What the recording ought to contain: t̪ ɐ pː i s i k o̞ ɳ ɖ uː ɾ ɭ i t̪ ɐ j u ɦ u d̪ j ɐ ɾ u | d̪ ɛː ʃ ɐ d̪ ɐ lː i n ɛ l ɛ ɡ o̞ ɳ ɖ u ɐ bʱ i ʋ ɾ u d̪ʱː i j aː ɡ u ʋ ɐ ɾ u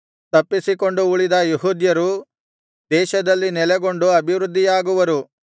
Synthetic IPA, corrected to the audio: t̪ ɐ pː i s i k o̞ ɳ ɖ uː ɭ i d̪ ɐ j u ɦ u d̪ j ɐ ɾ u | d̪ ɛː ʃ ɐ d̪ ɐ lː i n ɛ l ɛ ɡ o̞ ɳ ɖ u ɐ bʱ i ʋ ɾ u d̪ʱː i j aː ɡ u ʋ ɐ ɾ u